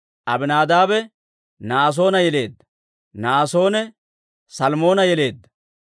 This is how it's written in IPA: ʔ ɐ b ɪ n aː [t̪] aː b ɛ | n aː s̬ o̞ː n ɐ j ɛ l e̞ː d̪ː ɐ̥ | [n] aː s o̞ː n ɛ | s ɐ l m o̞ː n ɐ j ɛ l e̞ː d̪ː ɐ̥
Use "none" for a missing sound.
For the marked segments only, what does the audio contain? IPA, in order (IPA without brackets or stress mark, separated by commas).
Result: d̪, n